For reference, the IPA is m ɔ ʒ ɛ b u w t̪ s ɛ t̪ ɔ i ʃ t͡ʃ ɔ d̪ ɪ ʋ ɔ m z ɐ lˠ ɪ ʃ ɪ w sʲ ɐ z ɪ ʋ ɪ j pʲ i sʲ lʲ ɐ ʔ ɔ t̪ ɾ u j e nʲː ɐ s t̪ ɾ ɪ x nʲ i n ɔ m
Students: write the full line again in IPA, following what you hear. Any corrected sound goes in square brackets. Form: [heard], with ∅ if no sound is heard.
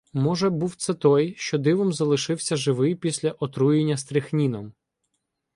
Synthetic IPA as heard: m ɔ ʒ ɛ b u w t̪ s ɛ t̪ ɔ [j] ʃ t͡ʃ ɔ d̪ ɪ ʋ ɔ m z ɐ lˠ ɪ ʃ ɪ w sʲ ɐ [ʒ] ɪ ʋ ɪ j pʲ i sʲ lʲ ɐ ʔ ɔ t̪ ɾ u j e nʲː ɐ s t̪ ɾ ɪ x nʲ i n ɔ m